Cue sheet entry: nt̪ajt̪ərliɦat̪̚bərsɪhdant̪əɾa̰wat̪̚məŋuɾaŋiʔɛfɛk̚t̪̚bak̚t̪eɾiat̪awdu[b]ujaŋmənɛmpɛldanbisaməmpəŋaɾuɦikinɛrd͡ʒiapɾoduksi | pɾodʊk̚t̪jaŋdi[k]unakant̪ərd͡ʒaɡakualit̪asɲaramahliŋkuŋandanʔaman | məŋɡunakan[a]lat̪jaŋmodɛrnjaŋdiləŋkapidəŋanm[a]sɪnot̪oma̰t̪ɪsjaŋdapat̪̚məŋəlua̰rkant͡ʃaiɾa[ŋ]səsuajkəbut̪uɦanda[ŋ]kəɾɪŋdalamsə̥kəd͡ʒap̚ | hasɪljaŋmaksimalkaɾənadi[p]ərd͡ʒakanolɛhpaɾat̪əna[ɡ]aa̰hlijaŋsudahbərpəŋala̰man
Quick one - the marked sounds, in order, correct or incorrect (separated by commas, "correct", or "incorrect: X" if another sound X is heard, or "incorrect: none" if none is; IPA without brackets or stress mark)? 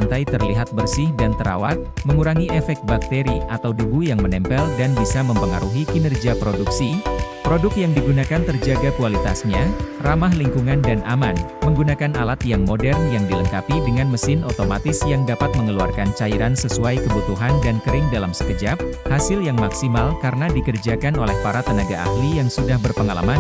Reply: correct, incorrect: ɡ, correct, incorrect: ə, incorrect: n, incorrect: n, incorrect: k, correct